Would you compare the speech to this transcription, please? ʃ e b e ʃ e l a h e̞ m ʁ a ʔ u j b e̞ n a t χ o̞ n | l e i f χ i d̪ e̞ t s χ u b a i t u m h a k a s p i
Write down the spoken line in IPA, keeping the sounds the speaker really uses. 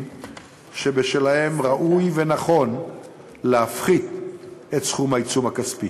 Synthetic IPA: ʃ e b e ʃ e l a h e̞ m ʁ a ʔ u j v e̞ n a χ o̞ n | l e a f χ i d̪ e̞ t s χ u m a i t͡s u m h a k a s p i